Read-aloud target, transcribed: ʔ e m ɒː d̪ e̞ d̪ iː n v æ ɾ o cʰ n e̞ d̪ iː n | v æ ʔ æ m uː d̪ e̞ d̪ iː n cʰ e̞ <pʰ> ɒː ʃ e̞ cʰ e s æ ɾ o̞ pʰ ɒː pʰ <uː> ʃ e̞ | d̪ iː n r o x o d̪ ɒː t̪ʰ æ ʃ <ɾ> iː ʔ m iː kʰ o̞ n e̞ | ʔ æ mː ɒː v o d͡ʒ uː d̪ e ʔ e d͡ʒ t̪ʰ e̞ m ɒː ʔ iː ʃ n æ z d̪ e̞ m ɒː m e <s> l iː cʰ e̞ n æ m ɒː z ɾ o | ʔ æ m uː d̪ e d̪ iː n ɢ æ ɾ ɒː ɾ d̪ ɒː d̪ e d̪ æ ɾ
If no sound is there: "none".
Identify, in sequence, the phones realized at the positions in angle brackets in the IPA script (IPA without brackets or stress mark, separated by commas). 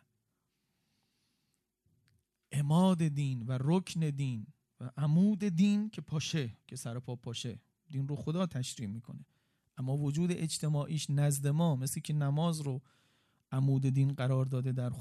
pʰ, ɒː, ɾ, s